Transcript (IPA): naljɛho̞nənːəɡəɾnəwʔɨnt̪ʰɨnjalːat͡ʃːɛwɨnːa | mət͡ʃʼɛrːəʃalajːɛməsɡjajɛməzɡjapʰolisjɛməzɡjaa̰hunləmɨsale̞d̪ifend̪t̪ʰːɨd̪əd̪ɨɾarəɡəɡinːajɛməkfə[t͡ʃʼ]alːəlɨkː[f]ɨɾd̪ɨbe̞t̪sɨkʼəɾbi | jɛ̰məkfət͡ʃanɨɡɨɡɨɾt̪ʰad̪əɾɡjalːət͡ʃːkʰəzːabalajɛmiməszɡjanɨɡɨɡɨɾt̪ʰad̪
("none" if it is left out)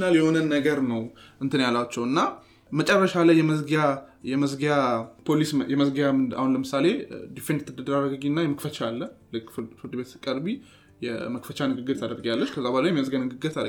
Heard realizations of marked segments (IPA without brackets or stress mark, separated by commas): t͡ʃ, f